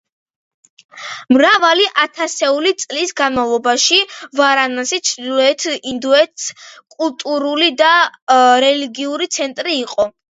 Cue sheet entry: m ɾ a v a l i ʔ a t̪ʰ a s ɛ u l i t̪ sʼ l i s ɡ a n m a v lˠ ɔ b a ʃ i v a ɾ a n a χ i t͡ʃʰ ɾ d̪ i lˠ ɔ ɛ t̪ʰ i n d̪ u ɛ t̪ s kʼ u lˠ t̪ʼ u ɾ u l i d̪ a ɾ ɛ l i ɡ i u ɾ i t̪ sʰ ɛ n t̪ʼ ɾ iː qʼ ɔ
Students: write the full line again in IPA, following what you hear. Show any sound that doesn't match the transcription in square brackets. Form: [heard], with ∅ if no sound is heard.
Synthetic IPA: m ɾ a v a l i ʔ a t̪ʰ a s ɛ u l i t̪ sʼ l i s ɡ a n m a v lˠ ɔ b a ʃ i v a ɾ a n a [s] i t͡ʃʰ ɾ d̪ i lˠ ɔ ɛ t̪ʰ i n d̪ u ɛ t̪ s kʼ u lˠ t̪ʼ u ɾ u l i d̪ a ɾ ɛ l i ɡ i u ɾ i t̪ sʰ ɛ n t̪ʼ ɾ iː qʼ ɔ

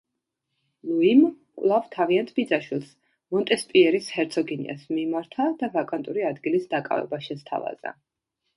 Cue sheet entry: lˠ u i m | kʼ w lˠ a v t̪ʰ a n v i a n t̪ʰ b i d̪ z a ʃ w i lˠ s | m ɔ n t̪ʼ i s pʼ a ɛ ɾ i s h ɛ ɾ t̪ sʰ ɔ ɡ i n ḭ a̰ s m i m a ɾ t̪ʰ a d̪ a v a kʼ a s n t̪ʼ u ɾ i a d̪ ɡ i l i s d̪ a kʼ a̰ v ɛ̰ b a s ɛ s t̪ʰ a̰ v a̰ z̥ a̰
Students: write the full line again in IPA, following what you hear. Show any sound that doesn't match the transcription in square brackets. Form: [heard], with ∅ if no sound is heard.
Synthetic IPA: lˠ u i m | kʼ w lˠ a v t̪ʰ a [∅] v i a n t̪ʰ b i d̪ z a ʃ w i lˠ s | m ɔ n t̪ʼ [ɛ] s pʼ [i] ɛ ɾ i s h ɛ ɾ t̪ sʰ ɔ ɡ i n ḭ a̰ s m i m a ɾ t̪ʰ a d̪ a v a kʼ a [∅] n t̪ʼ u ɾ i a d̪ ɡ i l i s d̪ a kʼ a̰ v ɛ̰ b a [ʃ] ɛ s t̪ʰ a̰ v a̰ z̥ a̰

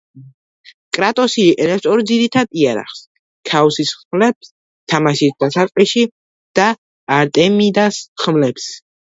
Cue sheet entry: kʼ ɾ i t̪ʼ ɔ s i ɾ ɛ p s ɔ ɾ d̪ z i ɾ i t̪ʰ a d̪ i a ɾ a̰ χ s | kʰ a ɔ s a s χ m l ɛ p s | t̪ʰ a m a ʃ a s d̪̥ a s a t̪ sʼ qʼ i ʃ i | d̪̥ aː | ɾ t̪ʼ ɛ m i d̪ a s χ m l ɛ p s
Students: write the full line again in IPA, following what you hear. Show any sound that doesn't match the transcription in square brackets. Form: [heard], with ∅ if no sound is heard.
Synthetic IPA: kʼ ɾ [a] t̪ʼ ɔ s i ɾ ɛ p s ɔ ɾ d̪ z i ɾ i t̪ʰ a d̪ i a ɾ a̰ χ s | kʰ a ɔ s [i] s χ m l ɛ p s | t̪ʰ a m a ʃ [i] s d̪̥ a s a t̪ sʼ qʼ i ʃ i | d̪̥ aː | ɾ t̪ʼ ɛ m i d̪ a s χ m l ɛ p s

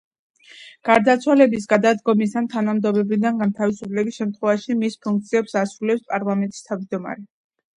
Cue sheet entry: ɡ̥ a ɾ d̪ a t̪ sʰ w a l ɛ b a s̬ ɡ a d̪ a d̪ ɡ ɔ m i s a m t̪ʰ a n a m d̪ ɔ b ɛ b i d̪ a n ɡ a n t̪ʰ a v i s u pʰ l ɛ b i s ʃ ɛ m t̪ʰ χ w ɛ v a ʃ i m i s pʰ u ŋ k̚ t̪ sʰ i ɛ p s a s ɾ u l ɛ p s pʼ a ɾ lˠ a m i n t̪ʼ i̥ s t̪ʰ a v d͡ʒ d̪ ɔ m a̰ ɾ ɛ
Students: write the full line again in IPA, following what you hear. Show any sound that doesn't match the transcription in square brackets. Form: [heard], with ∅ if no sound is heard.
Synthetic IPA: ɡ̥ a ɾ d̪ a t̪ sʰ w a l ɛ b [i] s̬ ɡ a d̪ a d̪ ɡ ɔ m i s a [n] t̪ʰ a n a m d̪ ɔ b ɛ b i d̪ a n ɡ a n t̪ʰ a v i s u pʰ l ɛ b i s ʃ ɛ m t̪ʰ χ w ɛ v a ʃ i m i s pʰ u ŋ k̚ t̪ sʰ i ɛ p s a s ɾ u l ɛ p s pʼ a ɾ lˠ a m [ɛ] n t̪ʼ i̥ s t̪ʰ a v d͡ʒ d̪ ɔ m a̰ ɾ ɛ

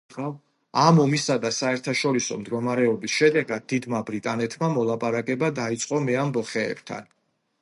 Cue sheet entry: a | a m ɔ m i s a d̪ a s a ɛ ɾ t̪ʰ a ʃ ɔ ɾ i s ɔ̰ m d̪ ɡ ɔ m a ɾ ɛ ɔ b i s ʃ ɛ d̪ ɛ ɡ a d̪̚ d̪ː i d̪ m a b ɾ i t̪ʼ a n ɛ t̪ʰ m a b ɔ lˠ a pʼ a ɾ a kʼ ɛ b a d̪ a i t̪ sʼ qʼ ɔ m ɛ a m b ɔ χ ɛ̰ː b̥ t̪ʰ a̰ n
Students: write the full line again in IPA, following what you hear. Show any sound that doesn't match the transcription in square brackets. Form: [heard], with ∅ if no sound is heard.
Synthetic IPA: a | a m ɔ m i s a d̪ a s a ɛ ɾ t̪ʰ a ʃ ɔ ɾ i s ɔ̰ m d̪ ɡ ɔ m a ɾ ɛ ɔ b i s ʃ ɛ d̪ ɛ ɡ a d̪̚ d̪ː i d̪ m a b ɾ i t̪ʼ a n ɛ t̪ʰ m a [m] ɔ lˠ a pʼ a ɾ a kʼ ɛ b a d̪ a i t̪ sʼ qʼ ɔ m ɛ a m b ɔ χ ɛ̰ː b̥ t̪ʰ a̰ n

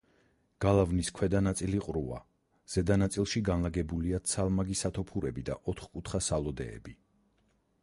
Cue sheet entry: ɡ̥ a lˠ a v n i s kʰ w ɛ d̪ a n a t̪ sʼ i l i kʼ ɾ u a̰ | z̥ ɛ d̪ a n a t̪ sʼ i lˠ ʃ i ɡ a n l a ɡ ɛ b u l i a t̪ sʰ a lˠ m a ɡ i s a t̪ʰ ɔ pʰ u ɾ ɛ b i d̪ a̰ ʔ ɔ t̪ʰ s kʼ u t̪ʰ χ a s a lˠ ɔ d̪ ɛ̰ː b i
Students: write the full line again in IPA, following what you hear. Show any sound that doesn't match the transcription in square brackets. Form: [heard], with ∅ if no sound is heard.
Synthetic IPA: ɡ̥ a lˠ a v n i s kʰ w ɛ d̪ a n a t̪ sʼ i l i [qʼ] ɾ u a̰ | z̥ ɛ d̪ a n a t̪ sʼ i lˠ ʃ i ɡ a n l a ɡ ɛ b u l i a t̪ sʰ a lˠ m a ɡ i s a t̪ʰ ɔ pʰ u ɾ ɛ b i d̪ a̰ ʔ ɔ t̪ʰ [χ] kʼ u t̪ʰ χ a s a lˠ ɔ d̪ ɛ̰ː b i

